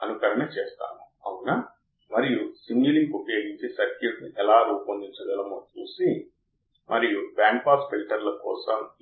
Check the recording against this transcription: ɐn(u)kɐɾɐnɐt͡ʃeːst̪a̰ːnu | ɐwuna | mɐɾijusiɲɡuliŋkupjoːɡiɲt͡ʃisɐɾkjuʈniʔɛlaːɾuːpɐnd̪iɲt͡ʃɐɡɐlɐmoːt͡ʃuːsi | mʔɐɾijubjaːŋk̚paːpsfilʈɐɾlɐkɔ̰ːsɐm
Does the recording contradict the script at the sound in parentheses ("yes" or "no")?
no